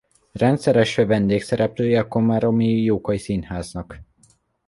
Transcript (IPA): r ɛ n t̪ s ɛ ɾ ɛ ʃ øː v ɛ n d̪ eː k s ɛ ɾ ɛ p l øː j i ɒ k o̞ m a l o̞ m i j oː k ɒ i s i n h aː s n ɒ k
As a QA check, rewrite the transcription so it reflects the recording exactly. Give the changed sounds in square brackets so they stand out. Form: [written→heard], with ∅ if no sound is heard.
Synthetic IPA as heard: r ɛ n t̪ s ɛ ɾ ɛ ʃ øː v ɛ n d̪ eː k s ɛ ɾ ɛ p l øː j [i→ɛ] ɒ k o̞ m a [l→ɾ] o̞ m i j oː k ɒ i s i n h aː [s→z] n ɒ k